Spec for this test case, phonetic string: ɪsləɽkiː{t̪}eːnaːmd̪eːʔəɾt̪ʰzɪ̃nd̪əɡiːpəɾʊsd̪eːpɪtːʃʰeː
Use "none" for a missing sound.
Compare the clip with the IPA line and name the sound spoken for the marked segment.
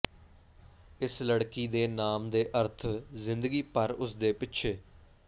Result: d̪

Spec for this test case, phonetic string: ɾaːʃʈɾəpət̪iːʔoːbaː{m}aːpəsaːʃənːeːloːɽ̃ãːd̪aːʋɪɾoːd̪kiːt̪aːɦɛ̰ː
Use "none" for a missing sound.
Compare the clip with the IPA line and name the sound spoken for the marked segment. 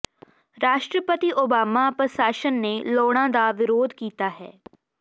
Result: m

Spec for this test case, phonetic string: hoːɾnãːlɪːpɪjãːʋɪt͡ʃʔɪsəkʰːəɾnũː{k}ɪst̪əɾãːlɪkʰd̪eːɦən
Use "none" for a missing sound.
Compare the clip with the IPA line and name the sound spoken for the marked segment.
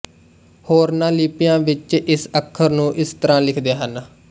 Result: ʔ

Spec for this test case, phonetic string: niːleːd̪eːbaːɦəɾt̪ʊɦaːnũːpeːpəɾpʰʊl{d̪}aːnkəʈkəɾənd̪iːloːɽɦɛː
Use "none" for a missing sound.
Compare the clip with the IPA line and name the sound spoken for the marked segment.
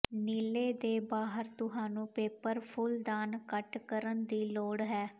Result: d̪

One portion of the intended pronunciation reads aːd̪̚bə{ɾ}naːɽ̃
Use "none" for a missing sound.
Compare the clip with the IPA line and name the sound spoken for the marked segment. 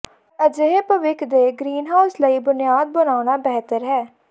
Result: none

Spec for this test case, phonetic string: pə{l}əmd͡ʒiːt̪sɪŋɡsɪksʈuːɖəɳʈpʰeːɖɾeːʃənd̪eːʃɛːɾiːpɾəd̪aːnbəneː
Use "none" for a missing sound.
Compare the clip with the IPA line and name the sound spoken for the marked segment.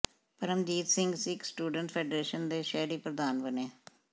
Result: ɾ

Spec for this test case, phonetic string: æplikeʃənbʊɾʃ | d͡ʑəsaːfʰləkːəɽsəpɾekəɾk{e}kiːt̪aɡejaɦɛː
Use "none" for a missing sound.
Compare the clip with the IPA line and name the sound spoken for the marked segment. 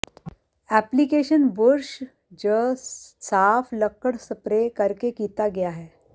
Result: e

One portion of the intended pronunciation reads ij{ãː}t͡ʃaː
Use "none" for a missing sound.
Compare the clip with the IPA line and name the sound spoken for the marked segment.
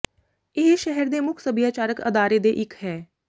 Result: aː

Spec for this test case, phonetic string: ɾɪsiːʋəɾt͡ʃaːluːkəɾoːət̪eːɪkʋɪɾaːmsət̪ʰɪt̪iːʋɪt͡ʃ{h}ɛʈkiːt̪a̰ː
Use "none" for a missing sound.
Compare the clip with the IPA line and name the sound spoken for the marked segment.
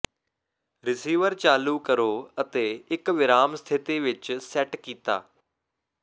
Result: s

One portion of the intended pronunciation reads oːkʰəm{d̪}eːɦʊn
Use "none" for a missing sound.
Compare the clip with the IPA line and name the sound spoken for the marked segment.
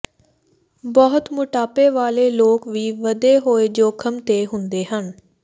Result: t̪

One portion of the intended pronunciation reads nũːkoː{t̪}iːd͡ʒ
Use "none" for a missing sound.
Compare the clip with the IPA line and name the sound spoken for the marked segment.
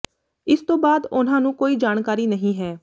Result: none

